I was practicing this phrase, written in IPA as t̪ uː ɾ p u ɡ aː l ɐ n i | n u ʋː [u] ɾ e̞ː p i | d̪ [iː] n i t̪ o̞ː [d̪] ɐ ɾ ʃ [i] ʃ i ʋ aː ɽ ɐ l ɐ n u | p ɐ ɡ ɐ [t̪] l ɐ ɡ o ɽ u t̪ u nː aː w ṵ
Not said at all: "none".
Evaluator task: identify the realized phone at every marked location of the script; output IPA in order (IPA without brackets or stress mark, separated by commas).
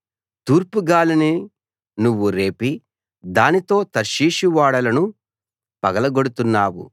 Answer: u, aː, t̪, iː, none